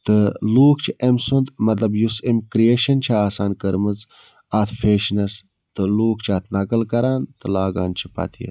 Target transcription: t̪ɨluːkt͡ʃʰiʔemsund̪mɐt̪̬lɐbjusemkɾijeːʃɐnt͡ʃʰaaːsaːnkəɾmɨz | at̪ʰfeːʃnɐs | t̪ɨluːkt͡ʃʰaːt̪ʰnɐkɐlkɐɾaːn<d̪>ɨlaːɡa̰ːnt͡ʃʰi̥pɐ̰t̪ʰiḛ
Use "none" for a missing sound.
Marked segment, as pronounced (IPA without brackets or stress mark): t̪